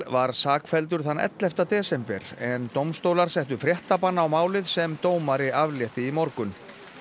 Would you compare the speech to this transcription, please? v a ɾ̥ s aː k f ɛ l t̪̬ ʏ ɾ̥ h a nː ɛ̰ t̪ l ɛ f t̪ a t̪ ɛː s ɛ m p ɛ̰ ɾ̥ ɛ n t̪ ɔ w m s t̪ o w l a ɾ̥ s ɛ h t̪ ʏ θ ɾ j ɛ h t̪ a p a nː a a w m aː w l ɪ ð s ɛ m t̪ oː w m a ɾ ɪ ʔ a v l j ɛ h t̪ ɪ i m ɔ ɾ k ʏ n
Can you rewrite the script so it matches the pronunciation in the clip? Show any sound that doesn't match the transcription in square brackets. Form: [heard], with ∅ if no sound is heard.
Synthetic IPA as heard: v a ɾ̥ s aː k f ɛ l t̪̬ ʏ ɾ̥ [θ] a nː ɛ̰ t̪ l ɛ f t̪ a t̪ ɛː s ɛ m p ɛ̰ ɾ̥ ɛ n t̪ [o] w m s t̪ o w l a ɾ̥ s ɛ h t̪ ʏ [f] ɾ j ɛ h t̪ a p a nː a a w m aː w l ɪ ð s ɛ m t̪ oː w m a ɾ ɪ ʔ a v l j ɛ h t̪ ɪ i m ɔ ɾ k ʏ n